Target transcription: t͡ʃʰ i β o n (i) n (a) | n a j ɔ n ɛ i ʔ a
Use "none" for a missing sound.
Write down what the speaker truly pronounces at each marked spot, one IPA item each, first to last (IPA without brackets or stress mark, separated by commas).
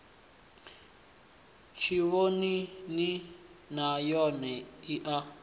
i, i